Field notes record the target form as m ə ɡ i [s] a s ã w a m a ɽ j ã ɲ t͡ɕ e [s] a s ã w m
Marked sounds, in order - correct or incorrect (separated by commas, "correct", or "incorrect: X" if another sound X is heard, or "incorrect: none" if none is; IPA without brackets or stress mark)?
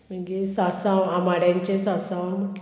correct, correct